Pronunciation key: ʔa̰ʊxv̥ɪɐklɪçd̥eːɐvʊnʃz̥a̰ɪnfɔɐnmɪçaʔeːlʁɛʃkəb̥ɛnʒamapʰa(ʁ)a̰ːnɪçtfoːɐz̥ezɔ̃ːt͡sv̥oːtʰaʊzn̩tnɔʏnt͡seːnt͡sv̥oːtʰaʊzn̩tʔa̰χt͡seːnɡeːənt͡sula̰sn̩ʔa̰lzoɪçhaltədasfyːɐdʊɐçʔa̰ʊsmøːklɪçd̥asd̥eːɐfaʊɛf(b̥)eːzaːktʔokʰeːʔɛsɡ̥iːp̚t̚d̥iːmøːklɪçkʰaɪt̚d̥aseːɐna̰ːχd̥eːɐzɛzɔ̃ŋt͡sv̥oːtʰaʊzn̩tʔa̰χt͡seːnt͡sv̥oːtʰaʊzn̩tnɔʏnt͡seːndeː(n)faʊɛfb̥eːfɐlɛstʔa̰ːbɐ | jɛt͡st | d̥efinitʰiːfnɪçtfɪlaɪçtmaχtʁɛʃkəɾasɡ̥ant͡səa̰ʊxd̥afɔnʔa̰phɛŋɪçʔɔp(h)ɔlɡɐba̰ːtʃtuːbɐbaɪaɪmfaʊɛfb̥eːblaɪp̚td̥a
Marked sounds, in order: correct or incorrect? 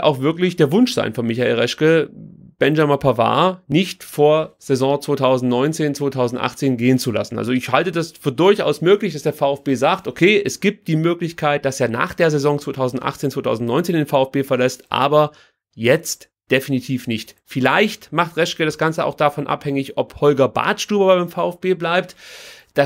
incorrect: v, correct, correct, correct

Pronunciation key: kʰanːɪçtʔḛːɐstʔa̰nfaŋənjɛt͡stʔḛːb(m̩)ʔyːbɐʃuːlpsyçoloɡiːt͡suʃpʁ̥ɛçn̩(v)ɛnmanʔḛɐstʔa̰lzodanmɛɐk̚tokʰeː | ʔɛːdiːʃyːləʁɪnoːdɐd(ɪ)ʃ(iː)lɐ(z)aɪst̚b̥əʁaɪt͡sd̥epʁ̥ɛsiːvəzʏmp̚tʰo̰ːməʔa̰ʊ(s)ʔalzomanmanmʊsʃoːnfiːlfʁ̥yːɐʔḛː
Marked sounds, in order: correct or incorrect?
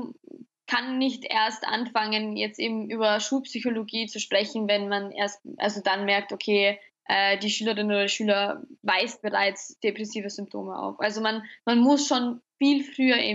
correct, correct, incorrect: i, incorrect: yː, incorrect: v, incorrect: f

